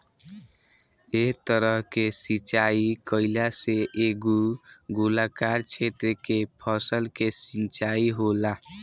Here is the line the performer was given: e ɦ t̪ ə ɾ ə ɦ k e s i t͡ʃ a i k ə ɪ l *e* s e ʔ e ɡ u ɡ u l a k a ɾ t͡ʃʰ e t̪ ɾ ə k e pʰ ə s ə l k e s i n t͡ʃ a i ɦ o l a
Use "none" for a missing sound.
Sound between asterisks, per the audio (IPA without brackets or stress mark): a